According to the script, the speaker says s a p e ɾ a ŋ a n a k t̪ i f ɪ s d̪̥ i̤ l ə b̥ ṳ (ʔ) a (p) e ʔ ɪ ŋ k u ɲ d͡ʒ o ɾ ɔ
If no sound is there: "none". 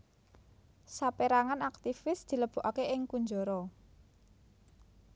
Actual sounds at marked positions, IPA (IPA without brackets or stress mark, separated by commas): ʔ, k